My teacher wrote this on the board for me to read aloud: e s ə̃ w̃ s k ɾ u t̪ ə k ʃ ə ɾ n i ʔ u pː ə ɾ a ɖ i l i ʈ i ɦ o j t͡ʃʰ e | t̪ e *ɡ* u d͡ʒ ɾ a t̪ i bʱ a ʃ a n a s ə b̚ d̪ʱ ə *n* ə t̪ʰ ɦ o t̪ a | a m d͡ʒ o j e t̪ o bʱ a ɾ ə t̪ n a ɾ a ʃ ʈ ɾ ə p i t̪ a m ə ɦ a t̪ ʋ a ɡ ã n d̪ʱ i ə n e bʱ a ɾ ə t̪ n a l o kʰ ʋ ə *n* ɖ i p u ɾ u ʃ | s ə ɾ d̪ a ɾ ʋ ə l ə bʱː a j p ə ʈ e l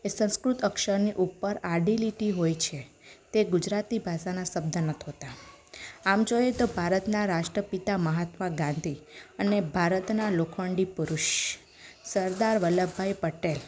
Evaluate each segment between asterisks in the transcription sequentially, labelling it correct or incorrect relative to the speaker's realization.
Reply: correct, correct, incorrect

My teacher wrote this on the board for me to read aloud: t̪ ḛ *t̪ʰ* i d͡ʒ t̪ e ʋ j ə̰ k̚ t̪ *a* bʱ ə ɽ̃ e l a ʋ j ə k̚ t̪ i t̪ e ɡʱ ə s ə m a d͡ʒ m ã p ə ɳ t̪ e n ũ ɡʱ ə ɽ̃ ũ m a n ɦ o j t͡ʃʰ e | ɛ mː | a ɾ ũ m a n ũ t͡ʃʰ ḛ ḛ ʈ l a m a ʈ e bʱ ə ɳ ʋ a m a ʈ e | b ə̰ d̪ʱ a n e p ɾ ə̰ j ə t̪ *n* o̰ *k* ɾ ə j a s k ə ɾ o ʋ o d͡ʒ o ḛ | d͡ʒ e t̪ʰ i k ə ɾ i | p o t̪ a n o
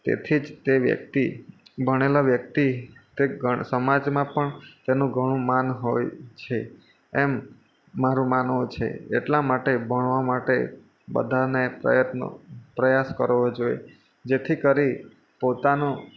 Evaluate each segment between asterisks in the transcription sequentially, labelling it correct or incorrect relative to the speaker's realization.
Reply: correct, incorrect, correct, incorrect

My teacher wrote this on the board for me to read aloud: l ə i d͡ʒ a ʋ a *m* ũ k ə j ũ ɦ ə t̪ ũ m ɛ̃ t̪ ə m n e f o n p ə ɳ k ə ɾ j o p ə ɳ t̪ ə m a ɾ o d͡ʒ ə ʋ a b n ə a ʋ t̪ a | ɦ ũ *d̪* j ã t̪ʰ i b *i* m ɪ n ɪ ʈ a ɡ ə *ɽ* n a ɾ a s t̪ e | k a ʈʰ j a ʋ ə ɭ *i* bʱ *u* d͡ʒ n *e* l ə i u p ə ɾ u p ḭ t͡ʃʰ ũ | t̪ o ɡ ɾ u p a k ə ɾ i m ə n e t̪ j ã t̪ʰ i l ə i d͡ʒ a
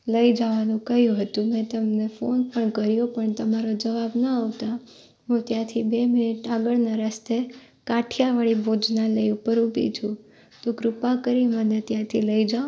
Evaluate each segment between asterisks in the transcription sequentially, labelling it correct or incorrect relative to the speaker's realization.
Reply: incorrect, incorrect, incorrect, incorrect, correct, incorrect, incorrect

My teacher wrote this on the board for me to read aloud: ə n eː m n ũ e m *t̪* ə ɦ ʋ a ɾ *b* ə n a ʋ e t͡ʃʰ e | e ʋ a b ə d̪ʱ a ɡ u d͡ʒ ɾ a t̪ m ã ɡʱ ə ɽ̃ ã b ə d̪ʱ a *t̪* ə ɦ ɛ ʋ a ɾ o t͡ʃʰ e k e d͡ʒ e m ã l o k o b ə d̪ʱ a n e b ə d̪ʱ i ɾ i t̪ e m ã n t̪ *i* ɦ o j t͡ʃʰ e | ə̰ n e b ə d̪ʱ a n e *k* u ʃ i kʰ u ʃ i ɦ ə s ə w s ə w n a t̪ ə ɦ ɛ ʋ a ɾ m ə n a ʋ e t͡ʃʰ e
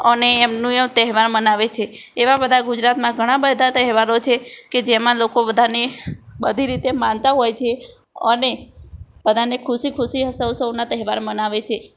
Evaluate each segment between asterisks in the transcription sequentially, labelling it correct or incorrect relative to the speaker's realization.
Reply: correct, incorrect, correct, incorrect, incorrect

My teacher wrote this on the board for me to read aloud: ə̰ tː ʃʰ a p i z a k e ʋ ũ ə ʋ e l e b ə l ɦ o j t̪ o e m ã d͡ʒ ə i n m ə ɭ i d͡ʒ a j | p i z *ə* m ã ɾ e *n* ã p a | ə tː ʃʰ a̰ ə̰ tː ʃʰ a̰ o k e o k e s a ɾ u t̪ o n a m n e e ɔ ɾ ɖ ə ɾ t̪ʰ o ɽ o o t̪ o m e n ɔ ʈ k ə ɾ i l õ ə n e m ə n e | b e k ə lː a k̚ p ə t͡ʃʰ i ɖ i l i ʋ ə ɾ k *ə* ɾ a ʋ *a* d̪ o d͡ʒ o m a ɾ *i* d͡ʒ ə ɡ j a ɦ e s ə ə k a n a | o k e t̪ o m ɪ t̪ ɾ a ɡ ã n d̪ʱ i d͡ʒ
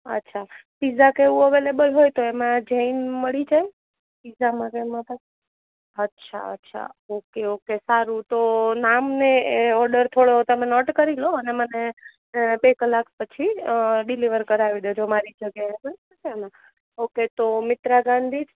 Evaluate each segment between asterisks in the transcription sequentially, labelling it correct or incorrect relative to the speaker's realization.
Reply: incorrect, incorrect, correct, incorrect, correct

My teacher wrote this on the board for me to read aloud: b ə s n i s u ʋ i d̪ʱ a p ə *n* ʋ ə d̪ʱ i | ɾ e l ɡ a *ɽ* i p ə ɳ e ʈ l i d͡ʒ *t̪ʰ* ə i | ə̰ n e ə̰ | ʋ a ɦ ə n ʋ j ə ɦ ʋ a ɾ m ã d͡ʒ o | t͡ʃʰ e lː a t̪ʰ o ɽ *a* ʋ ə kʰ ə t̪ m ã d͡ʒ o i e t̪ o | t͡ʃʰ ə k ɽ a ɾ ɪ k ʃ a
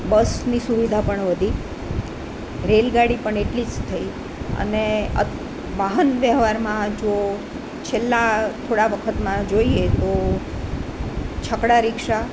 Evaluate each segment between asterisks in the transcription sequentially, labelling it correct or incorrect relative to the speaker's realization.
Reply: incorrect, correct, correct, correct

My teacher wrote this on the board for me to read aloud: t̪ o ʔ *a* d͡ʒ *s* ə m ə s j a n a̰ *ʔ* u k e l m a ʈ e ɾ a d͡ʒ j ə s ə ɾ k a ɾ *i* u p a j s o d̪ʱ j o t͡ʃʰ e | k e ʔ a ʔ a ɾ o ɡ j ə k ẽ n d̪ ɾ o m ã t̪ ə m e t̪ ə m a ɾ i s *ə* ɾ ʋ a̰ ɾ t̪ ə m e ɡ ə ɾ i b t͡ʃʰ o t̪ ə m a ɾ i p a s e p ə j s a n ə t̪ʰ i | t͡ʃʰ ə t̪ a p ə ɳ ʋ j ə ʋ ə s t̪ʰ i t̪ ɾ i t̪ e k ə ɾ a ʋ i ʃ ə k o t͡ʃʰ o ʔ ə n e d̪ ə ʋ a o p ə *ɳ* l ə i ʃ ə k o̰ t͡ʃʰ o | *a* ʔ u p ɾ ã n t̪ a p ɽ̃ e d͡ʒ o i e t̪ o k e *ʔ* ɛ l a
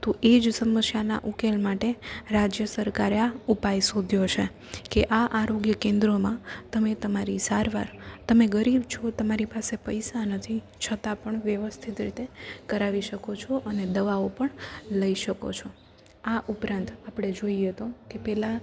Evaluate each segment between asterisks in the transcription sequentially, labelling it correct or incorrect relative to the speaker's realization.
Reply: incorrect, correct, correct, incorrect, incorrect, correct, correct, incorrect

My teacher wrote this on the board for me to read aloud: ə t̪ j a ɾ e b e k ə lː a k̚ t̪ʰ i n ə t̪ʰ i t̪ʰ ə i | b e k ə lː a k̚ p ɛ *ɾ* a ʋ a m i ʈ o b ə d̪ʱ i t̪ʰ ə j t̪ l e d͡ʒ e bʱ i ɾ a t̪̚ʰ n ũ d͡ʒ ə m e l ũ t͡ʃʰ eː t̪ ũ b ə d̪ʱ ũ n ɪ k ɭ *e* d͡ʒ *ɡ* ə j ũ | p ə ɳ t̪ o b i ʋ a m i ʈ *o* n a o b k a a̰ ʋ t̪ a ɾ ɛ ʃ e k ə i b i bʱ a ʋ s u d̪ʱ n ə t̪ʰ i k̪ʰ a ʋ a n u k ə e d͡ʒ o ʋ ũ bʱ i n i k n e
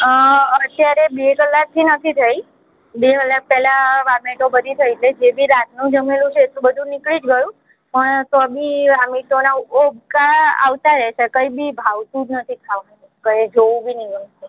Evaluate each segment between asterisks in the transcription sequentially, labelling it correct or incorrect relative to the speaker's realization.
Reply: incorrect, incorrect, correct, correct

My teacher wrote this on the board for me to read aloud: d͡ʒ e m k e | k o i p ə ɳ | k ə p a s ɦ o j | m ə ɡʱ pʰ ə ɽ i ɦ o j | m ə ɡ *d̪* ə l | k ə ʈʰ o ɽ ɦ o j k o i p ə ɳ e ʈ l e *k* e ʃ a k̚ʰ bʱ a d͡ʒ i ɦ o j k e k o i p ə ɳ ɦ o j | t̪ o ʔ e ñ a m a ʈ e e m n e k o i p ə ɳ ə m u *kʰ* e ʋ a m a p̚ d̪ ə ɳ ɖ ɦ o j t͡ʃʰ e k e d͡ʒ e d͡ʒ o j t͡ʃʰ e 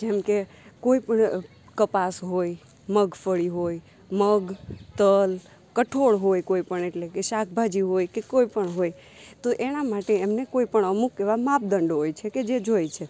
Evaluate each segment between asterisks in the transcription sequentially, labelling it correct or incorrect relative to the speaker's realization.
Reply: incorrect, correct, incorrect

